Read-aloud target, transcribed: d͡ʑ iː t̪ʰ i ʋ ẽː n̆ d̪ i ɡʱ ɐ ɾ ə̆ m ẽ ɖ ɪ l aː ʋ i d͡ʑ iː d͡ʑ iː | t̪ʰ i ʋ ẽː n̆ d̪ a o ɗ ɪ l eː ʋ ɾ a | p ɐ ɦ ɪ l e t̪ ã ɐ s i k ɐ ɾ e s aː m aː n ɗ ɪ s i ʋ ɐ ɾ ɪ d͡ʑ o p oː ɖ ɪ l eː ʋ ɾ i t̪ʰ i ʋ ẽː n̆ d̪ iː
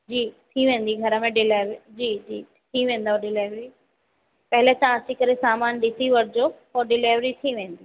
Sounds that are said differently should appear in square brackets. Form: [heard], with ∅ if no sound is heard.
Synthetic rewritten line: d͡ʑ iː t̪ʰ i ʋ ẽː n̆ d̪ i ɡʱ ɐ ɾ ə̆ m ẽ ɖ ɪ l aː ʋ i d͡ʑ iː d͡ʑ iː | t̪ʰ i ʋ ẽː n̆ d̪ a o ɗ ɪ l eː ʋ ɾ [i] | p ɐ ɦ ɪ l e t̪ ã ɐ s i k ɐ ɾ e s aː m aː n ɗ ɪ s i ʋ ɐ ɾ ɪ d͡ʑ o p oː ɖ ɪ l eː ʋ ɾ i t̪ʰ i ʋ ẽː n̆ d̪ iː

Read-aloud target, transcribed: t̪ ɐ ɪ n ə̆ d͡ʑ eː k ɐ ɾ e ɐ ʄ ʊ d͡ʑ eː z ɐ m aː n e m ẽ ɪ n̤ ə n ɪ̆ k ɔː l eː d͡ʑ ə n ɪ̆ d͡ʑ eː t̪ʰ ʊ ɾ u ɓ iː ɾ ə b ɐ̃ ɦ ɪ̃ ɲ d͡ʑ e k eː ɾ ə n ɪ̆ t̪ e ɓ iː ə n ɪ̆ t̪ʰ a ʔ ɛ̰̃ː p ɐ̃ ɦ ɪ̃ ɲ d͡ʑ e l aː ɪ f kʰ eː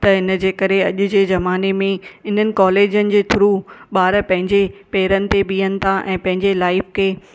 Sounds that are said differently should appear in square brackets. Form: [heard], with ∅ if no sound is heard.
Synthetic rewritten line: t̪ ɐ ɪ n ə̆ d͡ʑ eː k ɐ ɾ e ɐ ʄ ʊ d͡ʑ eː z ɐ m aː n e m ẽ ɪ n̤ ə n ɪ̆ k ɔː l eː d͡ʑ ə n ɪ̆ d͡ʑ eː t̪ʰ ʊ ɾ u ɓ [aː] ɾ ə [p] ɐ̃ ɦ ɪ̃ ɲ d͡ʑ e [p] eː ɾ ə n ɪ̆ t̪ e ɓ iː ə n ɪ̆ t̪ʰ a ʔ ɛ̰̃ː p ɐ̃ ɦ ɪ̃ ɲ d͡ʑ e l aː ɪ f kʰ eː

